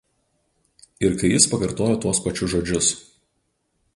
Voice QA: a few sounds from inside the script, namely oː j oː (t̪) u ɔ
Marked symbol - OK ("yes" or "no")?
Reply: yes